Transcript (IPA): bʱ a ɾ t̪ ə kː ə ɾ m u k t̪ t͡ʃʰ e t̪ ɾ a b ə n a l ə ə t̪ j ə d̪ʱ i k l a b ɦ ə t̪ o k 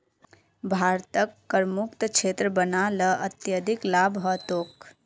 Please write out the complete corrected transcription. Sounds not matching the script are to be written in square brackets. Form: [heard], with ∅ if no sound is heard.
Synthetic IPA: bʱ a ɾ t̪ ə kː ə ɾ m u k t̪ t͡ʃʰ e t̪ ɾ [ə] b ə n a l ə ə t̪ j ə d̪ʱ i k l a b ɦ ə t̪ o k